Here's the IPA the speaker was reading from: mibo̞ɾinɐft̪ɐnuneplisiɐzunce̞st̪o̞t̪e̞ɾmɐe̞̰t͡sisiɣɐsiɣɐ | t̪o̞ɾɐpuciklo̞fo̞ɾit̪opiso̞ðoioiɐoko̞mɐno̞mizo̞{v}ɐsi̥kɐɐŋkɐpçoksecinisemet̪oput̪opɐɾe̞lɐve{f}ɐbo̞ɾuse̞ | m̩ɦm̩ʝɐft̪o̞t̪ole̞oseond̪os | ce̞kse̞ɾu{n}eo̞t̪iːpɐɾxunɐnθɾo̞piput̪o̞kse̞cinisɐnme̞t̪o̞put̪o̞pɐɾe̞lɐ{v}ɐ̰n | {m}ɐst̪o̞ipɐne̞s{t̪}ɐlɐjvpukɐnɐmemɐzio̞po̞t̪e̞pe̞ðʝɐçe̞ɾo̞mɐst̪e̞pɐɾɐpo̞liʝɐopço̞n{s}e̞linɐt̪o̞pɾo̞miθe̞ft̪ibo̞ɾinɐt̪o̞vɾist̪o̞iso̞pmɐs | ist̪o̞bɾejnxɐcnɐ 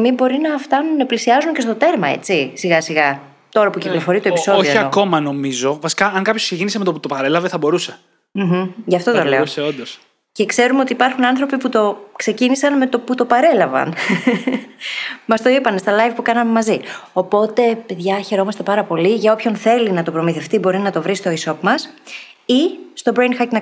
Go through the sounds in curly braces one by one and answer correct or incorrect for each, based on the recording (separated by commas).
correct, incorrect, incorrect, correct, correct, correct, incorrect